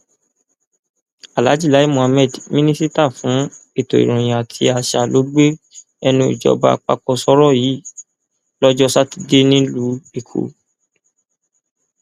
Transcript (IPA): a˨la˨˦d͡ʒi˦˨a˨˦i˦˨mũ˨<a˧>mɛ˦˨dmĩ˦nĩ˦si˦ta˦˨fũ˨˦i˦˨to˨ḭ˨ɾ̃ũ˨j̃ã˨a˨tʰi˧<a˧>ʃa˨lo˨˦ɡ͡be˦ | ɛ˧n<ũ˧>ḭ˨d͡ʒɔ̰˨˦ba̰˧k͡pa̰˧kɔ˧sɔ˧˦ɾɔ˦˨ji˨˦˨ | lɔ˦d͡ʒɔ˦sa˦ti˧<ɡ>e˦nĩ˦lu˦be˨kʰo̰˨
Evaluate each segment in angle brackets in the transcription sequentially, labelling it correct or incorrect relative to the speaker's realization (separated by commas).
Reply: correct, correct, correct, incorrect